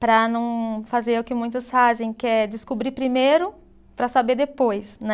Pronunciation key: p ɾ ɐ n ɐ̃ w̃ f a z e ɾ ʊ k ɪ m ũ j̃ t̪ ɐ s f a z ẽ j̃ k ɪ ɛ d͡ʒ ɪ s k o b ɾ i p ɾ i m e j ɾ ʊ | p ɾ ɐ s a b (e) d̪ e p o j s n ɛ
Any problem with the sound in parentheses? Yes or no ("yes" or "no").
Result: no